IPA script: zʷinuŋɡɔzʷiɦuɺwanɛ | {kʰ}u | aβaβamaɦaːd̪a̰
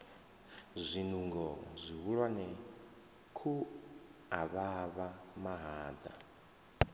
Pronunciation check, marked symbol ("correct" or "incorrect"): correct